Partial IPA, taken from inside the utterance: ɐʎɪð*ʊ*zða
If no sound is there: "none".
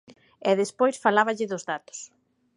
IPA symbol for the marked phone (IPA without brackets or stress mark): ʊ